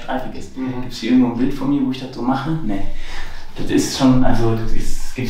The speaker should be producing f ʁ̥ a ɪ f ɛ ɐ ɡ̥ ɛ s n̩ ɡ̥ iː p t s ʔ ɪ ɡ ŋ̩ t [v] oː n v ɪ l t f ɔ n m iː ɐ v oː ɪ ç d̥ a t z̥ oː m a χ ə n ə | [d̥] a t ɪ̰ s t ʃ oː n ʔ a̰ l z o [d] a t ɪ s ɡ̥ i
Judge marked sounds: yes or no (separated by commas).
yes, yes, yes